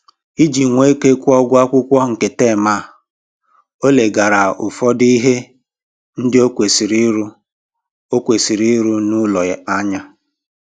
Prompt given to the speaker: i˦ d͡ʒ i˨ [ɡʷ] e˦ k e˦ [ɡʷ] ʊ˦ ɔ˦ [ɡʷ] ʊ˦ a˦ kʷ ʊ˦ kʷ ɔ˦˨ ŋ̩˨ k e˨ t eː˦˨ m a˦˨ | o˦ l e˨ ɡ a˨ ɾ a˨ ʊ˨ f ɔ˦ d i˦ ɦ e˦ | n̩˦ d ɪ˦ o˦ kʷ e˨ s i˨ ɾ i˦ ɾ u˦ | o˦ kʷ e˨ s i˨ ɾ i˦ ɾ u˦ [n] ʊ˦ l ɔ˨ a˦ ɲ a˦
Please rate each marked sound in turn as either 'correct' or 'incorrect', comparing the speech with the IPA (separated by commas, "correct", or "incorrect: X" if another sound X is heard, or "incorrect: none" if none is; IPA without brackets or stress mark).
incorrect: ŋʷ, incorrect: kʷ, correct, correct